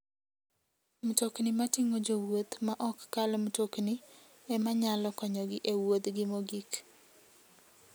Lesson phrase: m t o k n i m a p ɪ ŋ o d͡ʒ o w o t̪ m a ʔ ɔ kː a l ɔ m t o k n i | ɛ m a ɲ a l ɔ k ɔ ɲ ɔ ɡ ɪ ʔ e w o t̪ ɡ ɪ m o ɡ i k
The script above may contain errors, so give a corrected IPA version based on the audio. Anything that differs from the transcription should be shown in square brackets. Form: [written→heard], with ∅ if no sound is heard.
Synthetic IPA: m t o k n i m a [p→t] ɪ ŋ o d͡ʒ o w o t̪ m a ʔ ɔ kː a l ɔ m t o k n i | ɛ m a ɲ a l ɔ k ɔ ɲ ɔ ɡ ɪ ʔ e w o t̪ ɡ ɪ m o ɡ i k